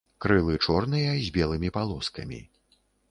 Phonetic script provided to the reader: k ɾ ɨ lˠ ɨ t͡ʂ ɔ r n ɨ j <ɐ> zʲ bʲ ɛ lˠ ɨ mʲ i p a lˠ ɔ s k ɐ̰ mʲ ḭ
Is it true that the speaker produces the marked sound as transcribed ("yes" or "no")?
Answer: yes